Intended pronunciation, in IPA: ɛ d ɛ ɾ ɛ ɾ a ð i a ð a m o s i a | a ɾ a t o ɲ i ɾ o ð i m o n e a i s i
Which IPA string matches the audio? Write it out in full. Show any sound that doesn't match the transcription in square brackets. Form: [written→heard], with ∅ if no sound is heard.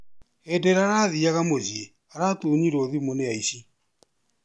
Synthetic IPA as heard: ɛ d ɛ ɾ [ɛ→a] ɾ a ð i a [ð→ɣ] a m o [s→z] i [a→e] | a ɾ a t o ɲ i ɾ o ð i m o n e a i s i